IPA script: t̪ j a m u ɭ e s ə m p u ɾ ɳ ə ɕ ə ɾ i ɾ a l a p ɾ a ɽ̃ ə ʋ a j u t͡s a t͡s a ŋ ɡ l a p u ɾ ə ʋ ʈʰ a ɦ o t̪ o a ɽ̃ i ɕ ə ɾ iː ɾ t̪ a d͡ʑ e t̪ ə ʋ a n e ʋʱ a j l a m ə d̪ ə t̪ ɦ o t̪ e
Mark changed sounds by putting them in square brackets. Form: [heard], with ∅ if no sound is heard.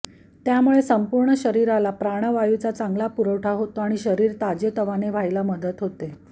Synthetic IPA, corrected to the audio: t̪ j a m u ɭ e s ə m p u ɾ ɳ ə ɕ ə ɾ i ɾ a l a p ɾ a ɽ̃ ə ʋ a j u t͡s a t͡s a ŋ ɡ l a p u ɾ ə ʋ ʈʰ a ɦ o t̪ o a ɽ̃ i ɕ ə ɾ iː ɾ t̪ a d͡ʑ e t̪ ə ʋ a n e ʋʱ a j l a m ə d̪ ə t̪ ɦ o t̪ e